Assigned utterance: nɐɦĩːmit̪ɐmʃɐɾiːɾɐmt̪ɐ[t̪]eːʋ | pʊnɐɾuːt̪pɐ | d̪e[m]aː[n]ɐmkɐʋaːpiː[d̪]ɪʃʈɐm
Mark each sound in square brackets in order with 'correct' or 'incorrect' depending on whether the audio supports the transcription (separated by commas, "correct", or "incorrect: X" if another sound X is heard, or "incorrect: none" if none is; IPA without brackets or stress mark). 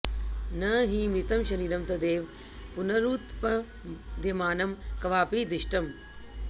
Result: incorrect: d̪, correct, correct, correct